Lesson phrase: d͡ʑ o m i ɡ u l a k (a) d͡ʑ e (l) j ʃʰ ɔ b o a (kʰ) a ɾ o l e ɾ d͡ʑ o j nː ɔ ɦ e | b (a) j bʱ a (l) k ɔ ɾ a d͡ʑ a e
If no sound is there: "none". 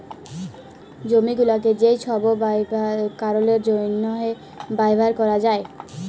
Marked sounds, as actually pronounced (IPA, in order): e, none, k, a, ɾ

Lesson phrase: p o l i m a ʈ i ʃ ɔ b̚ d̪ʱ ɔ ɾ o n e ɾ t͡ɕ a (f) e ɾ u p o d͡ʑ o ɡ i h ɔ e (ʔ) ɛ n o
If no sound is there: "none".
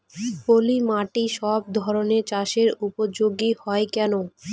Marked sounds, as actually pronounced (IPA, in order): ʃ, k

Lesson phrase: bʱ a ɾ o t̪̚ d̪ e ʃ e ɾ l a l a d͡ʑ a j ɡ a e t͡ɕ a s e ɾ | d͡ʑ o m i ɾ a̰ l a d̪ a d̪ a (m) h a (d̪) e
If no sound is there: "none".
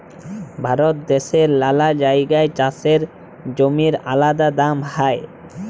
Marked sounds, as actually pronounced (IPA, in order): m, none

